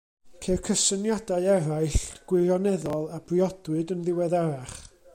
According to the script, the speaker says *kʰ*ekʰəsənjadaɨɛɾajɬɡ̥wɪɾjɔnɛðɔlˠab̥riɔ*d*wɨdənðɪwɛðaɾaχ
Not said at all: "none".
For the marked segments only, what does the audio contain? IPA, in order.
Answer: kʰ, d

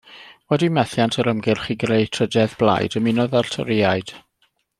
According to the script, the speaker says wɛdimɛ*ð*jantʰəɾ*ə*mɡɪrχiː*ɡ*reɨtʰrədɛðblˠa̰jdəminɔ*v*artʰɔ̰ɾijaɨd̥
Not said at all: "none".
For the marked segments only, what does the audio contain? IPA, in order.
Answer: θ, ə, ɡ, ð

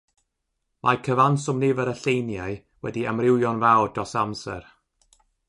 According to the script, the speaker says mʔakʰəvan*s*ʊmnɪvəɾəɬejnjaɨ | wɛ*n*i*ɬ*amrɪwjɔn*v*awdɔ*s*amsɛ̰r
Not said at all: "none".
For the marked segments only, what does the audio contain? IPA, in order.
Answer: s, d, none, v, s

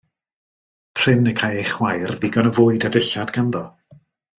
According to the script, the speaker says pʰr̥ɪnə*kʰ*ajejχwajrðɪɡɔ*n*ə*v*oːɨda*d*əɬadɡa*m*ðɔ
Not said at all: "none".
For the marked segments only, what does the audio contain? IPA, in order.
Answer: kʰ, n, v, d, n

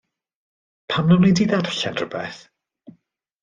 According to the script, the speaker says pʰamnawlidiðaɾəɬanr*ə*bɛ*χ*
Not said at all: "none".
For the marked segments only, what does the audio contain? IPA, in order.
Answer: ə, θ

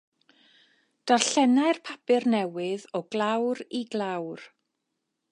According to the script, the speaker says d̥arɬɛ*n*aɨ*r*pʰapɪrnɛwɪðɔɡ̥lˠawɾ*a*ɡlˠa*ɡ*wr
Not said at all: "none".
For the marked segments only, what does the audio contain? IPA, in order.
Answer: n, r, i, none

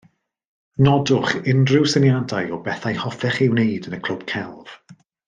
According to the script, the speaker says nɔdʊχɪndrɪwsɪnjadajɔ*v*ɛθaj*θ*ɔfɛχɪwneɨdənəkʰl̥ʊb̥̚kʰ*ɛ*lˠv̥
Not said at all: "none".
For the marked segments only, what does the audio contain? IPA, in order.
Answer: b, h, ɛ

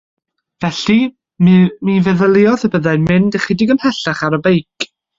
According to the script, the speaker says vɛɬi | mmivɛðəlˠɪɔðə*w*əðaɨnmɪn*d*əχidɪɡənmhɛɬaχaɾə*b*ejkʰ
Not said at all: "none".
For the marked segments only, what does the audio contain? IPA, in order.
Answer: b, d, b

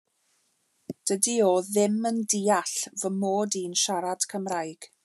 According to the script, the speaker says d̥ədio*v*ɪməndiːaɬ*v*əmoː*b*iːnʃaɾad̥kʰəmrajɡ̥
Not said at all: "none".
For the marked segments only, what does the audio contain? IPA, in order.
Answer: ð, v, d

